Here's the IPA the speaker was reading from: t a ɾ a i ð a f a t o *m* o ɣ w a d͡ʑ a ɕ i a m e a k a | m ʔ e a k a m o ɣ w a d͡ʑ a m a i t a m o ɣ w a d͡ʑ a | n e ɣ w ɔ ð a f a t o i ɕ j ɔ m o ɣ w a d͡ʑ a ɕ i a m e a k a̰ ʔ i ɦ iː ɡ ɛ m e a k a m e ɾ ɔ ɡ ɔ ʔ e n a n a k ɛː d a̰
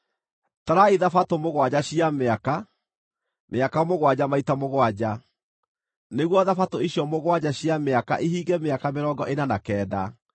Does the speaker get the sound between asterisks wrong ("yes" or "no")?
no